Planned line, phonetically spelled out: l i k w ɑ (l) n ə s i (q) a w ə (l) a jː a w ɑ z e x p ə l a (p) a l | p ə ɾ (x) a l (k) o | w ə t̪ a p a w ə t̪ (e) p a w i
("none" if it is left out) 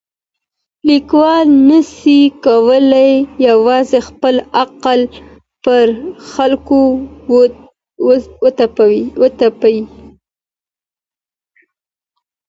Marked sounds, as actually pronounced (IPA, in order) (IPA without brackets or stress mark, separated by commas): l, k, l, q, x, k, a